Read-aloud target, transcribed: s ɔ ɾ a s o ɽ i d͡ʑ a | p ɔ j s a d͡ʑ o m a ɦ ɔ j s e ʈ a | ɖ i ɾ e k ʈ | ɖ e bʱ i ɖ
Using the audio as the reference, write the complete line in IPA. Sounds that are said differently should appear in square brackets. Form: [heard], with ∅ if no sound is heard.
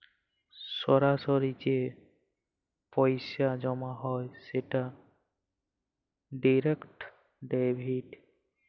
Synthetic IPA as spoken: s ɔ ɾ a s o [ɾ] i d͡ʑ [e] | p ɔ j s a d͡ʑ [ɔ] m a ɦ ɔ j s e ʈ a | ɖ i ɾ e k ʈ | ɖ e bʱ i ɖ